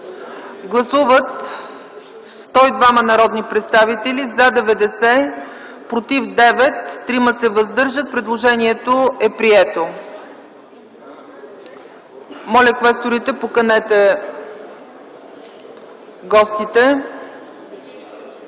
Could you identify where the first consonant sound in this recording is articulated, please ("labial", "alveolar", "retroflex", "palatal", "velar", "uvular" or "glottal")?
velar